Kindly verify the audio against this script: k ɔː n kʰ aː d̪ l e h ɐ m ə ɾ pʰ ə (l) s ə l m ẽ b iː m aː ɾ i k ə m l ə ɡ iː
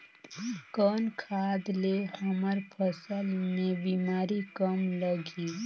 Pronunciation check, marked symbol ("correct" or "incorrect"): incorrect